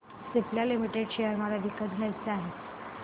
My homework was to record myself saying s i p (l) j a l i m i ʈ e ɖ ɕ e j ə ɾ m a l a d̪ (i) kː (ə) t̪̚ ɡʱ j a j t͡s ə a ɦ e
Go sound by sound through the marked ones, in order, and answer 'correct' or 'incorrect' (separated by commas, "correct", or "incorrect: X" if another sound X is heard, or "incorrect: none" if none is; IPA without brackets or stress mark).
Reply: correct, correct, correct